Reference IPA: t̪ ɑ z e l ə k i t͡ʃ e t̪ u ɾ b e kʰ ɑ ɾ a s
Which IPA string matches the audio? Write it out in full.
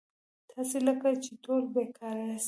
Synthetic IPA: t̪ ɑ s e l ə k a t͡ʃ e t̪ o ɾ b e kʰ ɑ ɾ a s